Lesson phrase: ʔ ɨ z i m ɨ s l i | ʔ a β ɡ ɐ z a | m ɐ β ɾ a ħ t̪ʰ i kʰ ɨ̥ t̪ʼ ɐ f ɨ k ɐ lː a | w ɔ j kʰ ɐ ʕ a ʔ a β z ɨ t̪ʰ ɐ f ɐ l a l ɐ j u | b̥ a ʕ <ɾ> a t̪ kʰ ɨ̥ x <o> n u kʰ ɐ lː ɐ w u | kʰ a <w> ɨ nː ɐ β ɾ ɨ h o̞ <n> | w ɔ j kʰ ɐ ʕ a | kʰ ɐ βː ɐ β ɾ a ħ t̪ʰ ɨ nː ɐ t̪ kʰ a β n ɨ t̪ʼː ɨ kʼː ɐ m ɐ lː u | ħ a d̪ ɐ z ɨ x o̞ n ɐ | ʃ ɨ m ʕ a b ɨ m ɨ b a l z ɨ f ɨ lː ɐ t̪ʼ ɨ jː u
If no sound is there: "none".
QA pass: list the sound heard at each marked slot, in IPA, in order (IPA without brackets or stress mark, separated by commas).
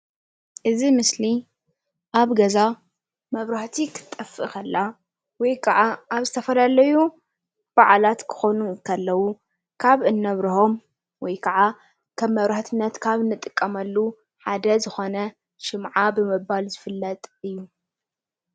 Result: l, o, β, m